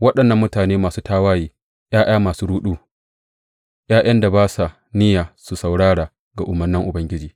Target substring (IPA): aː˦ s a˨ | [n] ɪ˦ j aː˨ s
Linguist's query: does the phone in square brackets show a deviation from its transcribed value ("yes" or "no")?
no